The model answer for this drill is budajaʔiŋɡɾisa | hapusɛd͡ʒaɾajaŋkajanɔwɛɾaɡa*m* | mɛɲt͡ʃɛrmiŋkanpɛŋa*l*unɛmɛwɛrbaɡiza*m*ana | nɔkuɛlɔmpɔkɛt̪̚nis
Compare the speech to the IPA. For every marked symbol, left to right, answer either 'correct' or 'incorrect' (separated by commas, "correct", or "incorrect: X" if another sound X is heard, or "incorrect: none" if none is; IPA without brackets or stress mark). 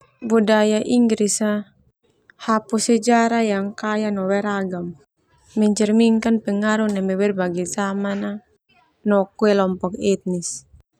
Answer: correct, incorrect: ɾ, correct